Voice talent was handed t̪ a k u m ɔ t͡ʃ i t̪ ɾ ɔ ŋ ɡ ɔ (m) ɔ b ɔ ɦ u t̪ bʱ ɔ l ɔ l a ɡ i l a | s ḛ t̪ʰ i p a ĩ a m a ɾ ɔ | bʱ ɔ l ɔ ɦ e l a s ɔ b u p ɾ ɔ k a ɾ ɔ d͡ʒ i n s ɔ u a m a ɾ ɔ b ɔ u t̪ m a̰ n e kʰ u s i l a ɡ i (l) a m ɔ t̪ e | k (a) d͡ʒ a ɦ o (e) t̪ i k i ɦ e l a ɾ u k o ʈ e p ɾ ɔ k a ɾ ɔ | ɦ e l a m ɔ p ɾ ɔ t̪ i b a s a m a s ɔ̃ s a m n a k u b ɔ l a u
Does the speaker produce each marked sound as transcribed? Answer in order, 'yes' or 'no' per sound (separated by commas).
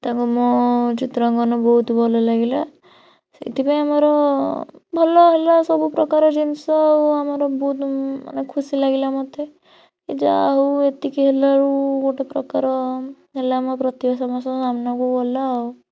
no, yes, no, yes